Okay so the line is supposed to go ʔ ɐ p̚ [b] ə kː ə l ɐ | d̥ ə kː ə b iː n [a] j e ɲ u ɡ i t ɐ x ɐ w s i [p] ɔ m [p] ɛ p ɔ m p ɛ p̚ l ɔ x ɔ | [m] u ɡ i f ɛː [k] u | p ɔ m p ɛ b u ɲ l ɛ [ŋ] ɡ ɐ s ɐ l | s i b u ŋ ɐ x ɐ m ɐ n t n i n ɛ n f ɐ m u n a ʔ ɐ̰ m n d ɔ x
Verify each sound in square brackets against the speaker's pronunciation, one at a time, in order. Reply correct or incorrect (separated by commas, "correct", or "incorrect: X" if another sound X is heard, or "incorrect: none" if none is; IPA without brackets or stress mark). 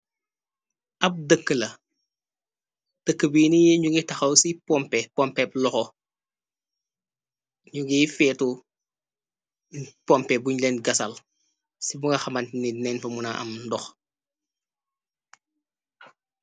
incorrect: d, incorrect: i, correct, correct, incorrect: ɲ, incorrect: t, incorrect: n